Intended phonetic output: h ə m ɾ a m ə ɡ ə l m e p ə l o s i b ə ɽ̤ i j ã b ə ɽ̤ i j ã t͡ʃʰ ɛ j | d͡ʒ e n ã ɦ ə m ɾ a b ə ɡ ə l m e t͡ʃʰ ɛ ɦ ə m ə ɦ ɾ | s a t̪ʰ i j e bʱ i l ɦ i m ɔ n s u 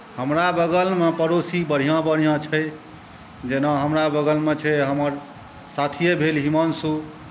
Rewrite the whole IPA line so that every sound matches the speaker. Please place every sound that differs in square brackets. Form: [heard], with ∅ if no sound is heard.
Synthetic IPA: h ə m ɾ a [b] ə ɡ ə l m e p ə [ɾ] o s i b ə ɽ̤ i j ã b ə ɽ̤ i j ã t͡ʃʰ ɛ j | d͡ʒ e n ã ɦ ə m ɾ a b ə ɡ ə l m e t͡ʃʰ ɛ ɦ ə m ə [∅] ɾ | s a t̪ʰ i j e bʱ [e] l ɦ i m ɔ n s u